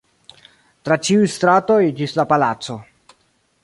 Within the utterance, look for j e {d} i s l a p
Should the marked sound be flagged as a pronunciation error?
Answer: yes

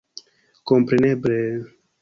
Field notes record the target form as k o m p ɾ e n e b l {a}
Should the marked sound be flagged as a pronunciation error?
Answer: yes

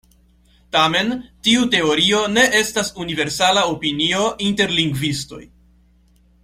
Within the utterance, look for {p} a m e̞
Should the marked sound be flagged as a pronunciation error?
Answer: yes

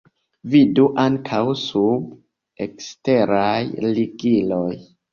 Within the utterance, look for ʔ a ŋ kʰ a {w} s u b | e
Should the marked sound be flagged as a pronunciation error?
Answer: no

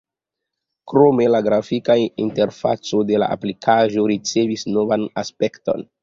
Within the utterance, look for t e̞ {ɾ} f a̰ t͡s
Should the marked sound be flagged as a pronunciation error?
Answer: no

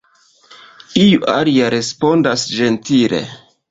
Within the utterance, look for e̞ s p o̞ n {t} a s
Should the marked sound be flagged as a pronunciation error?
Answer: yes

